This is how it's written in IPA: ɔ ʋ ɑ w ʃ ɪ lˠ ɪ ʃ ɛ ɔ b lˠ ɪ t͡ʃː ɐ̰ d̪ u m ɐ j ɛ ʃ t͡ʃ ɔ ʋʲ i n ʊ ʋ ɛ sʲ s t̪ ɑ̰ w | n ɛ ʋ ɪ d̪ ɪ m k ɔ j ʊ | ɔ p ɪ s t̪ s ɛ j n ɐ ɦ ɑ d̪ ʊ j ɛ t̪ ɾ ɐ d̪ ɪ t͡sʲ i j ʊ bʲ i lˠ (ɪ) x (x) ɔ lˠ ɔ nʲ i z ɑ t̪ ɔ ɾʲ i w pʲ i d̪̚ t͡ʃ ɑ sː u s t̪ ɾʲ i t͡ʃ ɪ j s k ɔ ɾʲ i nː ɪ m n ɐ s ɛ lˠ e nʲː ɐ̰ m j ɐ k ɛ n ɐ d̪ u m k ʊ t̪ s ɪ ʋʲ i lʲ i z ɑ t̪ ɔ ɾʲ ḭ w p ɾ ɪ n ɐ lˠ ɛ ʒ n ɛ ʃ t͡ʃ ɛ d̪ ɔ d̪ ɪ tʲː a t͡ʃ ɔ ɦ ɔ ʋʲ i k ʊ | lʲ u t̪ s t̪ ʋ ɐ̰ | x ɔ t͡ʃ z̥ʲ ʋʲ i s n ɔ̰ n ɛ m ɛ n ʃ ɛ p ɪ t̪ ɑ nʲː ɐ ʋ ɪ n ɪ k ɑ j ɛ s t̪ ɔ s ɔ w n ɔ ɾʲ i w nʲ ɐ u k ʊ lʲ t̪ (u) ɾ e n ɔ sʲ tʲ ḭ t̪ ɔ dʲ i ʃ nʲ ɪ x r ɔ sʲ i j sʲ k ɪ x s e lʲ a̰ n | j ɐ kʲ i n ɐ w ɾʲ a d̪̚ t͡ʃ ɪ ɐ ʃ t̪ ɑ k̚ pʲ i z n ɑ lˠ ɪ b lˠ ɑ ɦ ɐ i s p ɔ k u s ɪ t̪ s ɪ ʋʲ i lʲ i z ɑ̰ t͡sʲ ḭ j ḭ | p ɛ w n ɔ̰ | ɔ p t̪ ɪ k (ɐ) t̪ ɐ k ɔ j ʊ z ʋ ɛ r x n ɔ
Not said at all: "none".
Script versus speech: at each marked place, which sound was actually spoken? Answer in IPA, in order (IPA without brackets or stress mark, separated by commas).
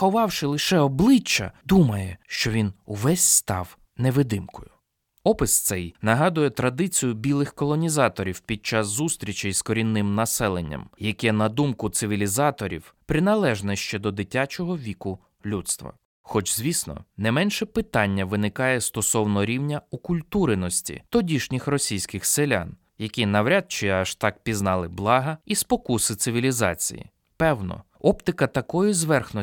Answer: ɪ, k, u, ɐ